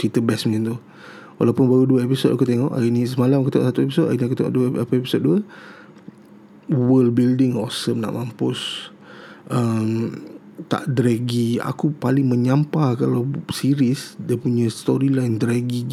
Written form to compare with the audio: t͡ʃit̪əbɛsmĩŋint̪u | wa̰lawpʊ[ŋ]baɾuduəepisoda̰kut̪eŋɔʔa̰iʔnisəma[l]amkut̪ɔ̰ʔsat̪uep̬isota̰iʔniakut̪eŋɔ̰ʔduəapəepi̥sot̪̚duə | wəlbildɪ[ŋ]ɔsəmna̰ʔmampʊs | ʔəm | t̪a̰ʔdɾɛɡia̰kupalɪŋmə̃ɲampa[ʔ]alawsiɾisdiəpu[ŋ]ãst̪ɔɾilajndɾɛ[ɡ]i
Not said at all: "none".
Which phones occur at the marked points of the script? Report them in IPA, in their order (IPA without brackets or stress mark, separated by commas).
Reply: n, l, ŋ, k, ɲ, ɡ